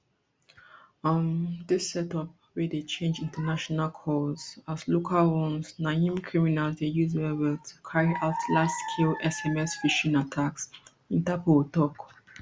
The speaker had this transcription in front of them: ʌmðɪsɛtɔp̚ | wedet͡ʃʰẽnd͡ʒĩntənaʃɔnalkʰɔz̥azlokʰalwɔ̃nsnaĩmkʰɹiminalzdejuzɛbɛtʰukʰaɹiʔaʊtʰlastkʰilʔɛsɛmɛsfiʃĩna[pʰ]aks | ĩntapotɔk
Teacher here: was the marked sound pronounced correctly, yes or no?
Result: no